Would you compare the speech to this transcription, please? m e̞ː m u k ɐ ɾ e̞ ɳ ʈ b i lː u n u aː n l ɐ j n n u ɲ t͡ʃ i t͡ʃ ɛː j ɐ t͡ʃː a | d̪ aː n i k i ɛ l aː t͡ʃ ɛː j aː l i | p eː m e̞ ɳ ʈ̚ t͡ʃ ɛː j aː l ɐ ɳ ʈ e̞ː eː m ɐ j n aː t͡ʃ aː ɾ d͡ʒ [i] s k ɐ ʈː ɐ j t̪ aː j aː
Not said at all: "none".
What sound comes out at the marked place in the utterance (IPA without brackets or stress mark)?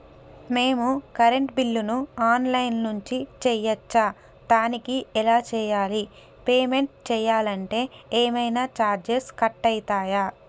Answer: e